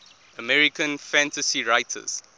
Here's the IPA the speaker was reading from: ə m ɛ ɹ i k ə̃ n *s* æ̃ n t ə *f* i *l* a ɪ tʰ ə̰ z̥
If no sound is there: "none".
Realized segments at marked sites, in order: f, s, ɹ

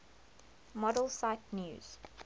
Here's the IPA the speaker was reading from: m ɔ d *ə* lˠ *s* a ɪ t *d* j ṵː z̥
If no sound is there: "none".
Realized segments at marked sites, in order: ə, s, n

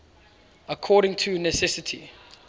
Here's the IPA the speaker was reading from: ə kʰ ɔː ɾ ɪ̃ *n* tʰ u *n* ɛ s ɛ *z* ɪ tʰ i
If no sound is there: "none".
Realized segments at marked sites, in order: ŋ, n, s

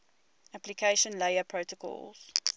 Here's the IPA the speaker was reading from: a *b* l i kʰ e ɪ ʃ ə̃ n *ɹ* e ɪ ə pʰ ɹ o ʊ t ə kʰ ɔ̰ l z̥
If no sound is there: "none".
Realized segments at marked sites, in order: p, l

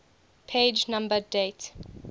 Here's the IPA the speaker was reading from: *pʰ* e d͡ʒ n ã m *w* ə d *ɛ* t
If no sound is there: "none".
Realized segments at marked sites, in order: pʰ, b, e

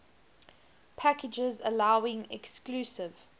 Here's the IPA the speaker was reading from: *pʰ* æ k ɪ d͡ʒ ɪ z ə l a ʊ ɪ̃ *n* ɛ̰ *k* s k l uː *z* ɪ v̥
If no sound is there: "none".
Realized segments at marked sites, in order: pʰ, ŋ, k, s

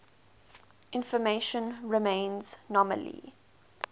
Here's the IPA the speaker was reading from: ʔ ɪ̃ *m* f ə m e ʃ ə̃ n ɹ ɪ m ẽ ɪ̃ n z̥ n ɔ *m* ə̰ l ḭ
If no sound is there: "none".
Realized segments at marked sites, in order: n, m

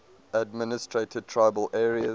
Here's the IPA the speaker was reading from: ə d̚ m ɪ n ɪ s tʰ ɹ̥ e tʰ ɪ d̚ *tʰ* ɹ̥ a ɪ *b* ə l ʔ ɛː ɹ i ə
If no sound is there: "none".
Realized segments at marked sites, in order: tʰ, b

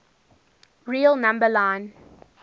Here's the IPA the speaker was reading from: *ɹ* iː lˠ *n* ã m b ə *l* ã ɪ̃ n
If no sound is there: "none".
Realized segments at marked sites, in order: ɹ, n, l

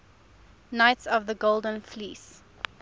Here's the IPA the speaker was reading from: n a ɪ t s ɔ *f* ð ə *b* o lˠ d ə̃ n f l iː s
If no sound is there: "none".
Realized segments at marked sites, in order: v, ɡ

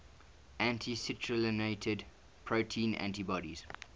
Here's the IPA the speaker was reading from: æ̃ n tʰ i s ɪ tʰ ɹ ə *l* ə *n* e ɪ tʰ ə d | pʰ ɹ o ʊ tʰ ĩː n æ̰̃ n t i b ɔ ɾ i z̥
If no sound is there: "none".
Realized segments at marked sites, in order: l, n

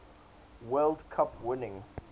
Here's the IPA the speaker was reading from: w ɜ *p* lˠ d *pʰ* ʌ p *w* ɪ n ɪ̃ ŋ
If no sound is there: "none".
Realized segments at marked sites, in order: none, kʰ, w

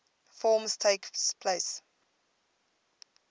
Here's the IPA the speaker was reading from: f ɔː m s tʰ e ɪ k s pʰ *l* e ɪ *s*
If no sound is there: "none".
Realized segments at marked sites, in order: l, s

